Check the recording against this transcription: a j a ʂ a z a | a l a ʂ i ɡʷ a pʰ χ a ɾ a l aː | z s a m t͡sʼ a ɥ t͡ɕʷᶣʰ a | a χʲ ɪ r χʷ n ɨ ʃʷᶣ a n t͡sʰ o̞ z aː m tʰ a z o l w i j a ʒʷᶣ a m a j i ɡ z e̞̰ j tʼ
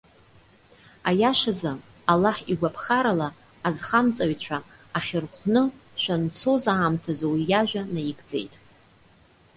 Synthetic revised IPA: a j a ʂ a z a | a l a ħ i ɡʷ a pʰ χ a ɾ a l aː | z χ a m t͡sʼ a ɥ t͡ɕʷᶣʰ a | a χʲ ɪ r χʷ n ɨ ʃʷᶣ a n t͡sʰ o̞ z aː m tʰ a z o w i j a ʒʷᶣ a n a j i ɡ d͡z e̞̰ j tʼ

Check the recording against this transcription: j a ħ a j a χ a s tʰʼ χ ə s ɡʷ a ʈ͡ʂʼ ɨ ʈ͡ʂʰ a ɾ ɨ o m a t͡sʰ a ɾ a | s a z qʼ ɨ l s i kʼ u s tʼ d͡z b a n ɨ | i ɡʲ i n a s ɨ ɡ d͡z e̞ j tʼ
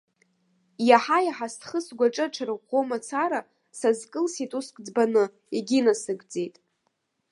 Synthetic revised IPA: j a ħ a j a ħ a s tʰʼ χ ə s ɡʷ a ʈ͡ʂʼ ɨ ʈ͡ʂʰ a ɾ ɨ o m a t͡sʰ a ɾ a | s a z kʼ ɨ l s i tʼ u s kʼ d͡z b a n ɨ | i ɡʲ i n a s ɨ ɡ d͡z e̞ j tʼ

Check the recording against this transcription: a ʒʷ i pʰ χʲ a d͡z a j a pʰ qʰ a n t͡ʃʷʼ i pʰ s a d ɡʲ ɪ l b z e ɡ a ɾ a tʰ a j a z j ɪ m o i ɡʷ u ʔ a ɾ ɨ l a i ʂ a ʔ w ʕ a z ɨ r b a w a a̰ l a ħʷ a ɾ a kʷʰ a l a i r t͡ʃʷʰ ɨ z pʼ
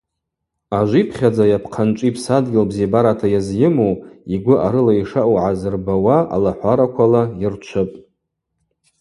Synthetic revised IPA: a ʒʷ i pʰ χʲ a d͡z a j a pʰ qʰ a n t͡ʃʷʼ i pʰ s a d ɡʲ ɪ l b z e b a ɾ a tʰ a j a z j ɪ m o i ɡʷ ʊ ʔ a ɾ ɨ l a i ʂ a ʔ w ʕ a z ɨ r b a w a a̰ l a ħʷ a ɾ a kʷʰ a l a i r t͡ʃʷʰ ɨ pʼ

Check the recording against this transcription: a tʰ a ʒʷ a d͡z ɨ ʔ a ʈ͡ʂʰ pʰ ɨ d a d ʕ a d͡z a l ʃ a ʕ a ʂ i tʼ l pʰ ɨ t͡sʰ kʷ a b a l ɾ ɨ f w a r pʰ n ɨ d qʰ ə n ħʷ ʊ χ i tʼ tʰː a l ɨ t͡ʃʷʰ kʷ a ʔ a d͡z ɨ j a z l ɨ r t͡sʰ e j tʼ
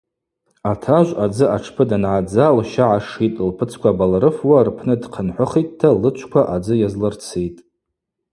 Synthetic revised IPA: a tʰ a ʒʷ a d͡z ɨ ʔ a ʈ͡ʂʰ pʰ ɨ d a n ʕ a d͡z a l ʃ a ʕ a ʂ i tʼ l pʰ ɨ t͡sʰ kʷ a b a l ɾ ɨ f w a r pʰ n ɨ d qʰ ə n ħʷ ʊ χ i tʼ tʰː a l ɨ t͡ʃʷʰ kʷ a ʔ a d͡z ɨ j a z l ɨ r t͡sʰ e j tʼ

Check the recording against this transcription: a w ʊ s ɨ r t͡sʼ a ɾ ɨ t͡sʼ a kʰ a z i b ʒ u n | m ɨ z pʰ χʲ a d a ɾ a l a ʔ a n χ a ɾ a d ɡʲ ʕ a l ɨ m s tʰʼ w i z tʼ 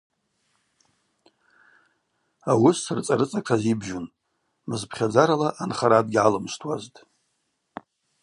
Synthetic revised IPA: a w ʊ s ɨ r t͡sʼ a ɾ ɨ t͡sʼ a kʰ a z i b ʒ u n | m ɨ z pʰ χʲ a d͡z a ɾ a l a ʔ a n χ a ɾ a d ɡʲ ʕ a l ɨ m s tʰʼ w a z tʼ

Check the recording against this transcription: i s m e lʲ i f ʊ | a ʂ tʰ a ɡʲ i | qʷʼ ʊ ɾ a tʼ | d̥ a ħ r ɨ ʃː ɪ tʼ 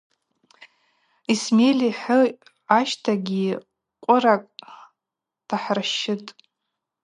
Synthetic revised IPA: i s m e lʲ i ħ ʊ | a ʃ tʰ a ɡʲ i | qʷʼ ʊ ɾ a kʼ | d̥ a ħ r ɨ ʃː ɪ tʼ

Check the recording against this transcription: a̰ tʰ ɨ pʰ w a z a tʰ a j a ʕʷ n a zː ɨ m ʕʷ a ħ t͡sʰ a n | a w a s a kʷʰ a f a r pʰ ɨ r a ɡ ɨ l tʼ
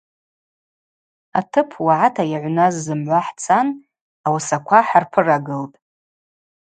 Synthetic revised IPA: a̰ tʰ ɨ pʰ w a ʕ a tʰ a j a ʕʷ n a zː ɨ m ʕʷ a ħ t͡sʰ a n | a w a s a kʷʰ a ħ a r pʰ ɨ r a ɡ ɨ l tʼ

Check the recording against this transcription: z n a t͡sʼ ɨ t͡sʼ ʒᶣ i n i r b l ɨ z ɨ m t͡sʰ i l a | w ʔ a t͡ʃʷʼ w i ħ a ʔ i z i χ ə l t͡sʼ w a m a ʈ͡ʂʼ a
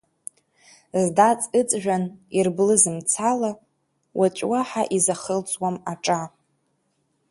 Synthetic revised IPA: z d a t͡sʼ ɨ t͡sʼ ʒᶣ a n i r b l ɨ z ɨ m t͡sʰ a l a | w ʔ a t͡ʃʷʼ w a ħ a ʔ i z a χ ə l t͡sʼ w a m a ʈ͡ʂʼ a

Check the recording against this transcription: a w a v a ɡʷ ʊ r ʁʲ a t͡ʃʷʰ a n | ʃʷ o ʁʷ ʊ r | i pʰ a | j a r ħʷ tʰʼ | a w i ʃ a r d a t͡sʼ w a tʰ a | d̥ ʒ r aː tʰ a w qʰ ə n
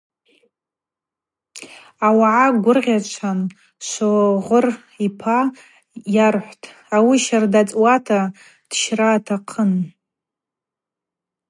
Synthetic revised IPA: a w a ʕ a ɡʷ ʊ r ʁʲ a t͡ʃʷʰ a n | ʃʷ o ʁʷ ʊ r | i pʰ a | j a r ħʷ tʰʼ | a w i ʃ a r d a t͡sʼ w a tʰ a | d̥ ʃ r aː tʰ a qʰ ə n

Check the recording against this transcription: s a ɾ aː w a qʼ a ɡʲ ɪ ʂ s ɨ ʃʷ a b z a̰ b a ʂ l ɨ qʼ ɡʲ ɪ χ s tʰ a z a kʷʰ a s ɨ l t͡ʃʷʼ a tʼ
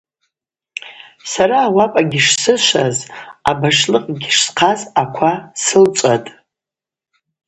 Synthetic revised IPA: s a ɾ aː w a pʼ a ɡʲ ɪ ʂ s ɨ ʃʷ a z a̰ b a ʂ l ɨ qʼ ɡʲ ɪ ʂ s qʰ a z a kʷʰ a s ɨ l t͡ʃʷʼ a tʼ

